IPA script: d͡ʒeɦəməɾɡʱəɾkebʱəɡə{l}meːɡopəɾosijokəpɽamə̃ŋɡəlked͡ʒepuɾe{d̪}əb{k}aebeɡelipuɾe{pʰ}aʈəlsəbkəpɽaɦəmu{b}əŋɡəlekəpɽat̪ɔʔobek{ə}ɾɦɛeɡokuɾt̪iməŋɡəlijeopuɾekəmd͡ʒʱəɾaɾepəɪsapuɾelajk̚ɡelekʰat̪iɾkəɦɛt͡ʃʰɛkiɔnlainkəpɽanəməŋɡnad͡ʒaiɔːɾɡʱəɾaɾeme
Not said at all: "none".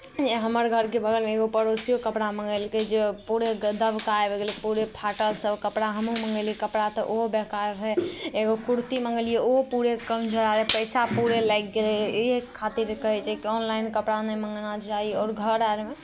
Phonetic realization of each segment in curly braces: l, d̪, k, pʰ, m, a

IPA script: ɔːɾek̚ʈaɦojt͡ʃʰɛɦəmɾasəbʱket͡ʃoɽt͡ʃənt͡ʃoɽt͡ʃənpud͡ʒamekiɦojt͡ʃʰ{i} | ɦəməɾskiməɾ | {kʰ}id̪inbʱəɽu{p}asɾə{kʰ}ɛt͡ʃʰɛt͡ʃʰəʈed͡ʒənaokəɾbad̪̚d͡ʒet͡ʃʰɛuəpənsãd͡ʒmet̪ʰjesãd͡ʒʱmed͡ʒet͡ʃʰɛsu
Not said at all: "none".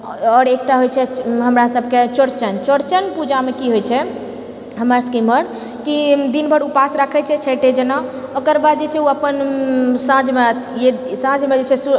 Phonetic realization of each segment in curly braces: ɛ, k, p, kʰ

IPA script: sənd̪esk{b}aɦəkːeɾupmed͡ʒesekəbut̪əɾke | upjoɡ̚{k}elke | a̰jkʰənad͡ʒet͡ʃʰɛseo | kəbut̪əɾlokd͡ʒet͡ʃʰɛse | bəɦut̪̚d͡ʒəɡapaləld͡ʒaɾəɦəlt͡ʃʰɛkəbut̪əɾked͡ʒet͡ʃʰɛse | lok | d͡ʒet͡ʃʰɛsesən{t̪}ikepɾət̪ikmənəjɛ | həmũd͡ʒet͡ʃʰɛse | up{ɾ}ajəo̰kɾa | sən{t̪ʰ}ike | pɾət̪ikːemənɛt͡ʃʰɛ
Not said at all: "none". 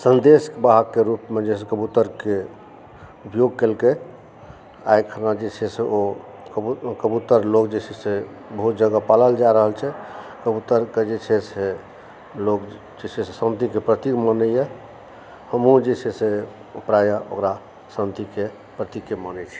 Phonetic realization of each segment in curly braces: b, k, t̪, ɾ, t̪

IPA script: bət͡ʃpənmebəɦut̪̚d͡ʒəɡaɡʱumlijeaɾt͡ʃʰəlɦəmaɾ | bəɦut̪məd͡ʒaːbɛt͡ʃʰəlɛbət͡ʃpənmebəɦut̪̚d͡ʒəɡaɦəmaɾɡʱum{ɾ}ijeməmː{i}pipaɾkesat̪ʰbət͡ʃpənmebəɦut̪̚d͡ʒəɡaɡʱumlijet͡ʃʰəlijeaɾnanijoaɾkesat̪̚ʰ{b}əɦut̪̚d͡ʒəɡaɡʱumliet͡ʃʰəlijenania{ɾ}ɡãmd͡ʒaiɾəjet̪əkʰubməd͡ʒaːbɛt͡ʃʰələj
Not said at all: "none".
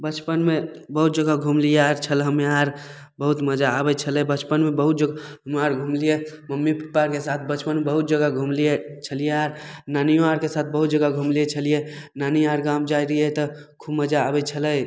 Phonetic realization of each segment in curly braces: l, i, b, ɾ

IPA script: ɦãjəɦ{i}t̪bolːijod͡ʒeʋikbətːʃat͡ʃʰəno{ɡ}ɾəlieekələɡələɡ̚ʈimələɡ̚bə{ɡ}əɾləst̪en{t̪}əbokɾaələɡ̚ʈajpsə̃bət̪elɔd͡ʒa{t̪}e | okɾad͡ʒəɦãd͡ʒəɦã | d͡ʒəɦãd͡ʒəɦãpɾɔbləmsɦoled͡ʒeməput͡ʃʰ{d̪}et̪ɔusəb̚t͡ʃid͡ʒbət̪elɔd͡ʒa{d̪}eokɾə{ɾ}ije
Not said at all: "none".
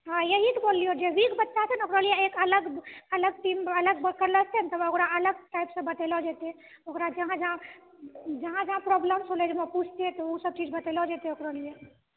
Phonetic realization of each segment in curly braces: i, k, k, t̪, t̪, t̪, t̪, l

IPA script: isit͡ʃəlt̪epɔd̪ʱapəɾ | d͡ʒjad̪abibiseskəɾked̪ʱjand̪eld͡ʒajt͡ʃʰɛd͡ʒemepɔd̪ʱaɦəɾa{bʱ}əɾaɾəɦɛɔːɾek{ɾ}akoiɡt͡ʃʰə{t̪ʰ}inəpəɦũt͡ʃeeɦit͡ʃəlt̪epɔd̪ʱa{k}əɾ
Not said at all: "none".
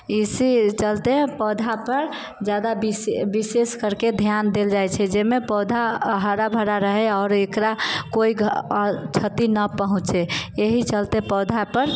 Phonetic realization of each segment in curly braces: bʱ, ɾ, t̪, p

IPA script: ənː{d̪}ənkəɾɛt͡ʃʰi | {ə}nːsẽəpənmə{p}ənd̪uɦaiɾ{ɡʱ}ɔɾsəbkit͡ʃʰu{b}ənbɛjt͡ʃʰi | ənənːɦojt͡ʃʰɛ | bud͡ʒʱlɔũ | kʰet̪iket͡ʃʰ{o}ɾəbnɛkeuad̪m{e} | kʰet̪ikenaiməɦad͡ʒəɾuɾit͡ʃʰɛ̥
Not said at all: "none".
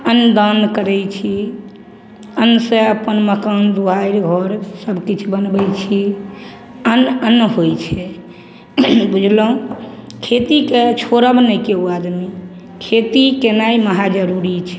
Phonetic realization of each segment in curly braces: d̪, ə, k, ɡʱ, b, o, i

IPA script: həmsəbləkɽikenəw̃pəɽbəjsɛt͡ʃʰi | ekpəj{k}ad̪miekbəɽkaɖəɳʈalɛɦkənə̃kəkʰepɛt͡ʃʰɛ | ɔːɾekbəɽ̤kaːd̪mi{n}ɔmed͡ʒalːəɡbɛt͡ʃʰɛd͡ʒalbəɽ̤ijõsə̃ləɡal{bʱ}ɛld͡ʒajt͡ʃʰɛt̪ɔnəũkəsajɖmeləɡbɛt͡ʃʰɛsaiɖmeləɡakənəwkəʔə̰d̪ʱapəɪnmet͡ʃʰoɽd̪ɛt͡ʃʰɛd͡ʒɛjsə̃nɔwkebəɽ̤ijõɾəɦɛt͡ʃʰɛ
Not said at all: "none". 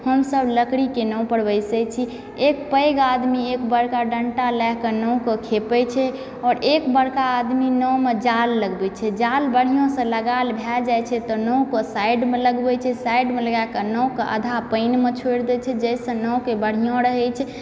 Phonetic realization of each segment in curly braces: ɡ, n, bʱ

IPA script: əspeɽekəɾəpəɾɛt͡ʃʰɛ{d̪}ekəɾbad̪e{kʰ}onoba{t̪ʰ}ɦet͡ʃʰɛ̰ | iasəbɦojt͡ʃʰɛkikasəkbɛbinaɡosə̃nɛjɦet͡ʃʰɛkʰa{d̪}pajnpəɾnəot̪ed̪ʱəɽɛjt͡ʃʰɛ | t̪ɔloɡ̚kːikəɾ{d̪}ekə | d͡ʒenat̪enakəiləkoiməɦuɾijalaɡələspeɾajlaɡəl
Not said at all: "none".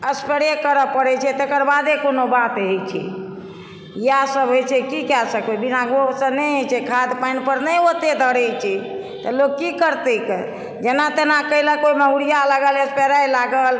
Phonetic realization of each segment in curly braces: t̪, k, t̪, d̪, t̪

